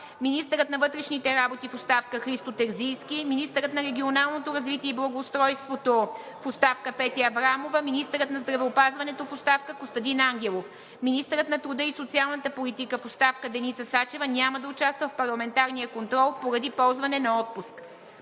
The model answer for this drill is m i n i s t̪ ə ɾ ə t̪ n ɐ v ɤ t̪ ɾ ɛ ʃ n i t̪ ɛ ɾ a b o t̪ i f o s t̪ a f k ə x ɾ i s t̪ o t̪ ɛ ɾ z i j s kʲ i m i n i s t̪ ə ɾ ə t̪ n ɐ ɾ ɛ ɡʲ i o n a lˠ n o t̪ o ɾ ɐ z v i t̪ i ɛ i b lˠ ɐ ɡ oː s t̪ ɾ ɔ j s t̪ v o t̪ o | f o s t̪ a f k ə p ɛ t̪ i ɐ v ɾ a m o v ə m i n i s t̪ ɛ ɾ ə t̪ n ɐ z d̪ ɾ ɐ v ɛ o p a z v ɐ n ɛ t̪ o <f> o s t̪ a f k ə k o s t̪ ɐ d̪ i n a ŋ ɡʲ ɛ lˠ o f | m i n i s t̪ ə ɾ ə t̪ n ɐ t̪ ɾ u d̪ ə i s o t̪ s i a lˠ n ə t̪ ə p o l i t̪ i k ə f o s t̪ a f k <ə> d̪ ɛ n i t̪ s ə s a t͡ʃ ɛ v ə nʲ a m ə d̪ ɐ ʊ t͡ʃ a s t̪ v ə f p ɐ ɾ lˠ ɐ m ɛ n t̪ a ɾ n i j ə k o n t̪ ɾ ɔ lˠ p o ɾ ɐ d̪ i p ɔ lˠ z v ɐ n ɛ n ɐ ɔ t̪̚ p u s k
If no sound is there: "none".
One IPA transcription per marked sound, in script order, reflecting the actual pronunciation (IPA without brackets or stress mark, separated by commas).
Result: f, ə